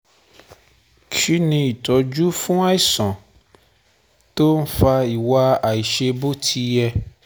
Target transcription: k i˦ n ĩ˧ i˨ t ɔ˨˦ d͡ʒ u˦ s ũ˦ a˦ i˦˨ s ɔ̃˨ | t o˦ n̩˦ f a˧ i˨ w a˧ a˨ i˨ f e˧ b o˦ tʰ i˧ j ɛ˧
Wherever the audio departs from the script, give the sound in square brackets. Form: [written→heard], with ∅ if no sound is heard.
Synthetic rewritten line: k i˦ n ĩ˧ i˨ t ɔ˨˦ d͡ʒ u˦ [s→f] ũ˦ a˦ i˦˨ s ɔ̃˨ | t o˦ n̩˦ f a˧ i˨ w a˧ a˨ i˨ [f→ʃ] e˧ b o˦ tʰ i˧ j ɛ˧